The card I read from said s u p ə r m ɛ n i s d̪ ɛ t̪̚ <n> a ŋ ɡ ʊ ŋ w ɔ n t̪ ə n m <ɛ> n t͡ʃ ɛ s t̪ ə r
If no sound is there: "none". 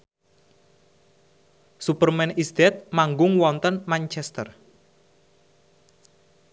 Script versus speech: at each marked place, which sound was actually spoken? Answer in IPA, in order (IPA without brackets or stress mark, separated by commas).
m, a